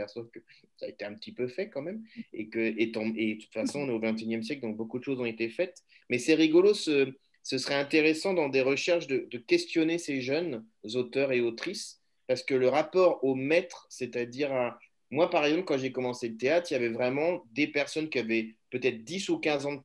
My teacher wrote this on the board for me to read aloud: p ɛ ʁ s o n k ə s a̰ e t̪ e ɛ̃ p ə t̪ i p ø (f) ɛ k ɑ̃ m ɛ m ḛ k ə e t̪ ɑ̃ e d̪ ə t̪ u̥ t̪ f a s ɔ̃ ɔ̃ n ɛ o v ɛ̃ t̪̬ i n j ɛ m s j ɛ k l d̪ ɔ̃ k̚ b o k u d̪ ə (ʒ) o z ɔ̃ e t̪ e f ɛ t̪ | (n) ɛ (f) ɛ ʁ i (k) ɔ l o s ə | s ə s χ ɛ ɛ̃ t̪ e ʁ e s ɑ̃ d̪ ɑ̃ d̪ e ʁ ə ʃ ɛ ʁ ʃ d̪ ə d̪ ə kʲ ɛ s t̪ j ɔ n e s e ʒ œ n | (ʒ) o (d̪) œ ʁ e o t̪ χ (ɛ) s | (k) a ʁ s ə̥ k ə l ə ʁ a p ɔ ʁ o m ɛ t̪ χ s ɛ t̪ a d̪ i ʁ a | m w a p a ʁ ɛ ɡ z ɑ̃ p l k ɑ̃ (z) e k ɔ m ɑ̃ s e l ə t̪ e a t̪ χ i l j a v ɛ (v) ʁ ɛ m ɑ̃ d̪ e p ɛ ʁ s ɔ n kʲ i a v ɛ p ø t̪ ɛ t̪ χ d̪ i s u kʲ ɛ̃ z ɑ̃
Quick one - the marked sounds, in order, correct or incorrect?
correct, incorrect, incorrect, incorrect, incorrect, incorrect, incorrect, incorrect, incorrect, incorrect, correct

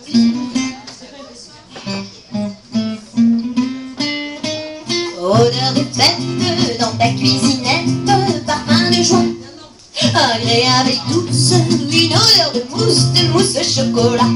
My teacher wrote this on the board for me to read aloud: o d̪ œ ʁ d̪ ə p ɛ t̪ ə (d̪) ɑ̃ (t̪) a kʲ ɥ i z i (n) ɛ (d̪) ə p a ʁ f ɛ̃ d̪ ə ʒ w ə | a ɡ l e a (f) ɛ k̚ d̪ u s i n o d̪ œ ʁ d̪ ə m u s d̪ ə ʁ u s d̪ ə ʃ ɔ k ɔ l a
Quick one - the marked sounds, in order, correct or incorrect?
correct, correct, correct, incorrect, incorrect

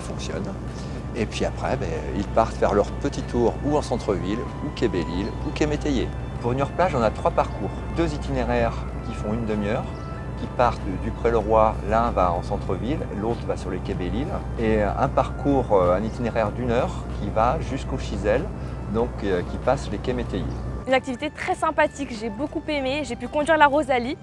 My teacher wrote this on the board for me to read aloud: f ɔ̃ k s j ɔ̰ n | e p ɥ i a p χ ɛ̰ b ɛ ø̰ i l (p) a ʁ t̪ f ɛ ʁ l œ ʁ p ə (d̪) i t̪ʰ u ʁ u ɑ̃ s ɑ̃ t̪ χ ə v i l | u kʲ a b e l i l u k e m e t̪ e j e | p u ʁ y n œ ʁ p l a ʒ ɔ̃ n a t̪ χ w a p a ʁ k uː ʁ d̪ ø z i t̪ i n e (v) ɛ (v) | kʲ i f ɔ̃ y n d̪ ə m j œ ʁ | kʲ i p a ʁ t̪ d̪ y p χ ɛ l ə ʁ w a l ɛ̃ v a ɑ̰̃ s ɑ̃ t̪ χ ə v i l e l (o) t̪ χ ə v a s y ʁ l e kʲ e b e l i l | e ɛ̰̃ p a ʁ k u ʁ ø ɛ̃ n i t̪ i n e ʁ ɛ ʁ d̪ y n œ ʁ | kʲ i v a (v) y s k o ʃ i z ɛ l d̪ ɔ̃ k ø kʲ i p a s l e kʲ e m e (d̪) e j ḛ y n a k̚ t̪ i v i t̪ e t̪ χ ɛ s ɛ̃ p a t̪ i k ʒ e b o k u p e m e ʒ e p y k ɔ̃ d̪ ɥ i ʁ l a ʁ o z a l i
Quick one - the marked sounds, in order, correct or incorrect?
correct, incorrect, incorrect, incorrect, correct, incorrect, incorrect

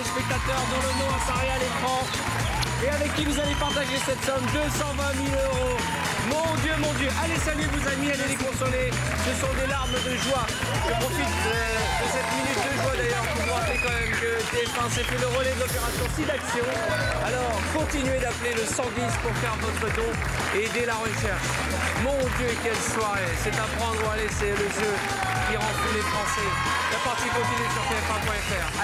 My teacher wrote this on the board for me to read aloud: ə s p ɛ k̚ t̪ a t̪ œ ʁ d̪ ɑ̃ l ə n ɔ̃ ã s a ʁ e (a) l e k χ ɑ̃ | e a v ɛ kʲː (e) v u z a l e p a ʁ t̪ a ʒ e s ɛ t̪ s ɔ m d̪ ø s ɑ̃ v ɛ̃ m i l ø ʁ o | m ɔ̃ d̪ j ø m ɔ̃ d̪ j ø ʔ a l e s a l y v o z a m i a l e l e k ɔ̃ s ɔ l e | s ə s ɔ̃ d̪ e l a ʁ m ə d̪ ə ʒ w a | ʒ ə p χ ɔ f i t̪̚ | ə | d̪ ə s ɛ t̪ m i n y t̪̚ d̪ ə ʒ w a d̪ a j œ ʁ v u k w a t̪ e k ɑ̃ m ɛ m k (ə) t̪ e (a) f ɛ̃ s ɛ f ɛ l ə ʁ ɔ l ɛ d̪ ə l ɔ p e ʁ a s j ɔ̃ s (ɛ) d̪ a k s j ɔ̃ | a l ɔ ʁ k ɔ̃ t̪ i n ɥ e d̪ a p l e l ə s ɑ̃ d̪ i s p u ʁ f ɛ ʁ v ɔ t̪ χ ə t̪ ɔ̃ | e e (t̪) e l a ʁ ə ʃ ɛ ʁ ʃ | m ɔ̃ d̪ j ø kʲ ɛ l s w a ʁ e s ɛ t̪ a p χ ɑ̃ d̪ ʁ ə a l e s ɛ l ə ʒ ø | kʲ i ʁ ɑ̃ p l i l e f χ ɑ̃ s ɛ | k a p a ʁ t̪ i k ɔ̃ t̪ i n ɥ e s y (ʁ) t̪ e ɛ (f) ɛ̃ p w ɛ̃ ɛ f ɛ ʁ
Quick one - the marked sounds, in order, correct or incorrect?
correct, incorrect, correct, incorrect, incorrect, incorrect, correct, correct

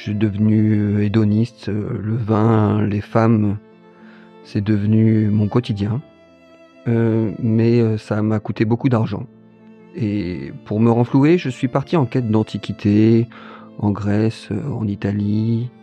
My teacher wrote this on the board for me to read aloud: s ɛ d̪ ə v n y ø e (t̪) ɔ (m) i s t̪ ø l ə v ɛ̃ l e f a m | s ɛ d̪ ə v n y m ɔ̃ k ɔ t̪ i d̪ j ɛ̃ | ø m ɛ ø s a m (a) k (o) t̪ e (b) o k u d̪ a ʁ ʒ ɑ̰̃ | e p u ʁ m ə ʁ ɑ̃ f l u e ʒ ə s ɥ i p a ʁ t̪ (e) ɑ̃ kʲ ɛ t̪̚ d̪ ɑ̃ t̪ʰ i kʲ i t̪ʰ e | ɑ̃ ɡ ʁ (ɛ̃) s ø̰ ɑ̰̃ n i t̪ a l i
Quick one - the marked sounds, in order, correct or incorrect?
incorrect, incorrect, correct, incorrect, correct, incorrect, incorrect

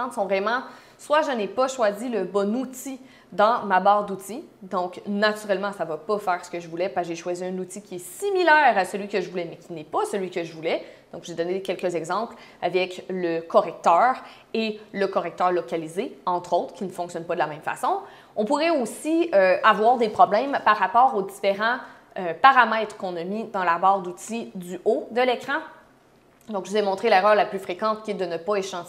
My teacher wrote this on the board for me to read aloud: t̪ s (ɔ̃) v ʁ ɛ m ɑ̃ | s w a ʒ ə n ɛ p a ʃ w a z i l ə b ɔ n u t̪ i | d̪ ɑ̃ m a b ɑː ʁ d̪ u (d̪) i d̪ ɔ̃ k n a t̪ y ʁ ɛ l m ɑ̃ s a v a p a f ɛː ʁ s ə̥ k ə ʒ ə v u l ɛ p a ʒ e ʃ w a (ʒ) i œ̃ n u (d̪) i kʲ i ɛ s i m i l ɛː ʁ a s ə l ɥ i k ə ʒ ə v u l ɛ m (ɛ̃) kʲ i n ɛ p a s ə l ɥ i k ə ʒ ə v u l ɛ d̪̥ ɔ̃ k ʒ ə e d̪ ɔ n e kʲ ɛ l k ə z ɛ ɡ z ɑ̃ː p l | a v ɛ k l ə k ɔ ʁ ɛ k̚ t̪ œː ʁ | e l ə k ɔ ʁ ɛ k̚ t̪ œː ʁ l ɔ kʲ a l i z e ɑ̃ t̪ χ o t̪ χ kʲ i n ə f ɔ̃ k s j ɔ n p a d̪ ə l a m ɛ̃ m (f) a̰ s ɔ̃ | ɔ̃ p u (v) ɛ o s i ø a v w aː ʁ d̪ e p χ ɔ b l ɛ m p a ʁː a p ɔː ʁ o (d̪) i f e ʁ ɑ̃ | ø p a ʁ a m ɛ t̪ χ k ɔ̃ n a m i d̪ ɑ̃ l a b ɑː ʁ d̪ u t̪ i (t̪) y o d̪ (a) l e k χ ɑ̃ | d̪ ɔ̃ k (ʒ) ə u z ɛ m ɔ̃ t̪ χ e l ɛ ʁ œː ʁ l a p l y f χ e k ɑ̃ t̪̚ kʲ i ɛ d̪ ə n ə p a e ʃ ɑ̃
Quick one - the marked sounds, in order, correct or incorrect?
correct, incorrect, incorrect, incorrect, incorrect, correct, incorrect, correct, incorrect, incorrect, correct

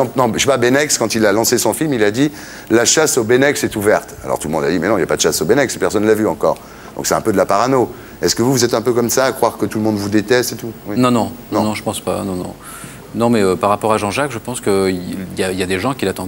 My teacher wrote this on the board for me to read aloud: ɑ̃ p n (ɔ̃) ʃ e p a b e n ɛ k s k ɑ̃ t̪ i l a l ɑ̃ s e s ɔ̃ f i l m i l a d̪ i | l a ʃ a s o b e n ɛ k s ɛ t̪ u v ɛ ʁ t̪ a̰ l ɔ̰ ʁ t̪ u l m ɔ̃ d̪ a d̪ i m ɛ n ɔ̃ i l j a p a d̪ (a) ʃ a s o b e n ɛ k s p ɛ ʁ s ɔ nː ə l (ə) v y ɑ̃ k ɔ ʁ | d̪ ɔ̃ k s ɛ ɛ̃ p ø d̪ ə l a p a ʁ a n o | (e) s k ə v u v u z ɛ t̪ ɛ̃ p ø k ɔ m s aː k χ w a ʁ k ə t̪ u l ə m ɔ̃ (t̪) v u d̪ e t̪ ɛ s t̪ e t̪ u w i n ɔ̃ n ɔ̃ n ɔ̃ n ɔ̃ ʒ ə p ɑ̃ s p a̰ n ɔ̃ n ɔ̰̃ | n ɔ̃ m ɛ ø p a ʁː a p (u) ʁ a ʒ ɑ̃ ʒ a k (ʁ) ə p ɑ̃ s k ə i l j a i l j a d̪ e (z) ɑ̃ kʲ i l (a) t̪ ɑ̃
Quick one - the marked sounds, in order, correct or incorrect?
correct, incorrect, incorrect, incorrect, incorrect, incorrect, incorrect, incorrect, correct

